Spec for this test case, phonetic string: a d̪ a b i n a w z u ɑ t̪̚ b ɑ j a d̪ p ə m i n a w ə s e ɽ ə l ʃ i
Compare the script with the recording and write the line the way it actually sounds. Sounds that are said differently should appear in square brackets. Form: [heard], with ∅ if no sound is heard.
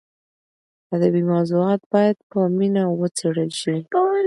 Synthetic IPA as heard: a d̪ a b i [m] a w z u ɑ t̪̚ b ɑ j a d̪ p ə m i n a w ə [t͡s] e ɽ ə l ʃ i